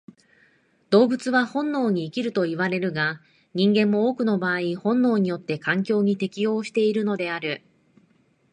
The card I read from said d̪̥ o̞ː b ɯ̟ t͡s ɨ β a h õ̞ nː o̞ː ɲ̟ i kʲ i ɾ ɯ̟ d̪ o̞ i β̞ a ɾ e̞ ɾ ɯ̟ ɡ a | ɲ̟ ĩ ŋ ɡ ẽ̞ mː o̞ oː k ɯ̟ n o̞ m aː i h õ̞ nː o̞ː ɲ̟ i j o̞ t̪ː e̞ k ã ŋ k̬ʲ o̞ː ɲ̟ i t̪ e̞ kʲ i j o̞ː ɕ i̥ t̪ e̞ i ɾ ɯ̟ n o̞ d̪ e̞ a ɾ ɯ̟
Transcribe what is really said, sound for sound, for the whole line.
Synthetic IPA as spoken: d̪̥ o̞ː b ɯ̟ t͡s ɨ β a h õ̞ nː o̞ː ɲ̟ iː kʲ i ɾ ɯ̟ t̪ o̞ i β̞ a ɾ e̞ ɾ ɯ̟ ɡ a | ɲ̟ ĩ ŋ ɡ ẽ̞ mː o̞ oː k ɯ̟ n o̞ b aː i h õ̞ nː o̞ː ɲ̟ i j o̞ t̪ː e̞ k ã ŋ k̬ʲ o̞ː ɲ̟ i t̪ e̞ kʲ i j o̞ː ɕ i̥ t̪ e̞ i ɾ ɯ̟ n o̞ d̪ e̞ a ɾ ɯ̟